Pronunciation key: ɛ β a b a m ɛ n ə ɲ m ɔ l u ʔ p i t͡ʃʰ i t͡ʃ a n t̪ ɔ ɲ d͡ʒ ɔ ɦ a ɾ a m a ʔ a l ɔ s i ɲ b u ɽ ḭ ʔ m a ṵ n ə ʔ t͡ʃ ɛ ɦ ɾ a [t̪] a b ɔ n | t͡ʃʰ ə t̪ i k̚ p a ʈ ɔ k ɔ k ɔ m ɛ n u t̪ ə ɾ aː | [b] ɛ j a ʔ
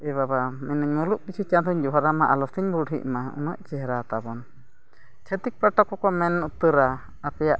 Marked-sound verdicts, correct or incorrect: correct, incorrect

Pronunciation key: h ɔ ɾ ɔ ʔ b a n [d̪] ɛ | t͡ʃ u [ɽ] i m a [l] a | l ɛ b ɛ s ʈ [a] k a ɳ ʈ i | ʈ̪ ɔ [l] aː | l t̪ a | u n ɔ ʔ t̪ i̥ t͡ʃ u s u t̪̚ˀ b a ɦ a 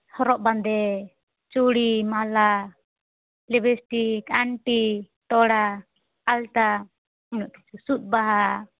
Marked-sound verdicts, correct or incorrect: correct, correct, correct, incorrect, incorrect

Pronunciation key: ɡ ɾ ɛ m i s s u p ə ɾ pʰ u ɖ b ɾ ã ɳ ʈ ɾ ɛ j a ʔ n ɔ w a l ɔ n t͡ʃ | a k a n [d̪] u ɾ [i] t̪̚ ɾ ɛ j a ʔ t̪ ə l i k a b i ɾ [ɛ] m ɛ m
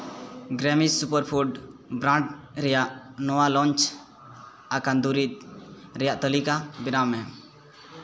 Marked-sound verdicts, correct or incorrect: correct, correct, incorrect

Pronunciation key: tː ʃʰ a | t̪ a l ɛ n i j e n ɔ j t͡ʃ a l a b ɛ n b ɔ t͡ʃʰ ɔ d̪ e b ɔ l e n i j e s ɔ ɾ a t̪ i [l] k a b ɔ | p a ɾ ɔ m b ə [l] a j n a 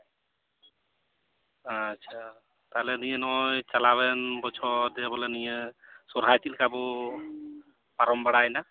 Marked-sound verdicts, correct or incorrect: correct, incorrect

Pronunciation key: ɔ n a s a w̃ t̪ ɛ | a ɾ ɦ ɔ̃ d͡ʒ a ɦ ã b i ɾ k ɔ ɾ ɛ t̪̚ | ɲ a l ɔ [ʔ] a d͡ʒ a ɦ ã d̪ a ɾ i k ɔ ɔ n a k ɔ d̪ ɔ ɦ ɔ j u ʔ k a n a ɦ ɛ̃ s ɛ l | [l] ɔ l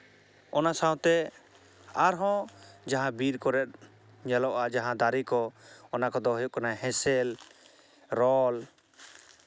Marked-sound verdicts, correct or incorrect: correct, incorrect

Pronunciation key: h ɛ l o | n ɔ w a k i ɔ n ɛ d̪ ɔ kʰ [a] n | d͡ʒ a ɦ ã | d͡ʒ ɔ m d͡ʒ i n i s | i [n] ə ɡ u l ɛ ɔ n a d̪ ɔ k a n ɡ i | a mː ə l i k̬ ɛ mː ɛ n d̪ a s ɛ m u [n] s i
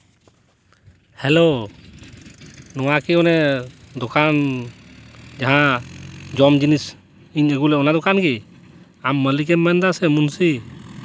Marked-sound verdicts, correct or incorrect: correct, incorrect, correct

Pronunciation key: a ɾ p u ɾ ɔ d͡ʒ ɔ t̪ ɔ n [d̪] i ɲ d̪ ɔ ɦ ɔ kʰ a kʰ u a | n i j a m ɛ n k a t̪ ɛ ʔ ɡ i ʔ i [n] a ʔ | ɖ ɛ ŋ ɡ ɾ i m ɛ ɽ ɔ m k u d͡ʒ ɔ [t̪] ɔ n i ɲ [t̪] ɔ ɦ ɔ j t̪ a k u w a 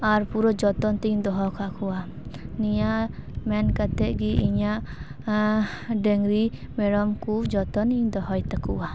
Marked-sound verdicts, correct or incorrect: incorrect, incorrect, correct, incorrect

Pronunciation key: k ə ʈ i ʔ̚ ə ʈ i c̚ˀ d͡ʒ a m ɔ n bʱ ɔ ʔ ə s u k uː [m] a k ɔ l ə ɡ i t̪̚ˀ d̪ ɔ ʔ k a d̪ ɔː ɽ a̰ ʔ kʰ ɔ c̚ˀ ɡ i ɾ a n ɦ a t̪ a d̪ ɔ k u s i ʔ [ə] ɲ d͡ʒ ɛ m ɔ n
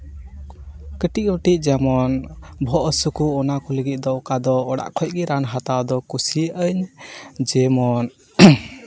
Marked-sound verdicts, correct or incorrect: incorrect, correct

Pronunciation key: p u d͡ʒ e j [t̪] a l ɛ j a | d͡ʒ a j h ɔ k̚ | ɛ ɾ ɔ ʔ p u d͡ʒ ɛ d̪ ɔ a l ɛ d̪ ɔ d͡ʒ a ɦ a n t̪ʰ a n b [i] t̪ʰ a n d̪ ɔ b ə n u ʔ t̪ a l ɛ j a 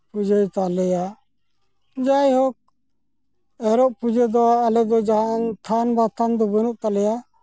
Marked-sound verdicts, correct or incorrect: correct, incorrect

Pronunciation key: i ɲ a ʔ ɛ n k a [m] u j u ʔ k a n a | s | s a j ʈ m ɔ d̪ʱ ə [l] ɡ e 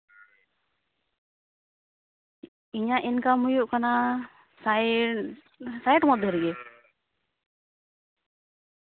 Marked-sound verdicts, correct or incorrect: correct, incorrect

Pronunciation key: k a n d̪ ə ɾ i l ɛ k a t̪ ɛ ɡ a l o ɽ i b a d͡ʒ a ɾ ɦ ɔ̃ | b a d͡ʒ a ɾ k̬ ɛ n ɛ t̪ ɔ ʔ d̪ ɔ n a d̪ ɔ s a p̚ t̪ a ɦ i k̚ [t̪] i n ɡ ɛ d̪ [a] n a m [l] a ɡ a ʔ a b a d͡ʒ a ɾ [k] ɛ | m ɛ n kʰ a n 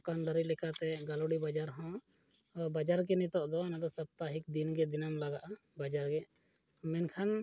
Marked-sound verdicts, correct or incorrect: incorrect, incorrect, correct, incorrect

